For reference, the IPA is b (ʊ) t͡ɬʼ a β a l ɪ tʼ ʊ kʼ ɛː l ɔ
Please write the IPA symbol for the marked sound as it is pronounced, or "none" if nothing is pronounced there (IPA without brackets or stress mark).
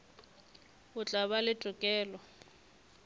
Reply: ʊ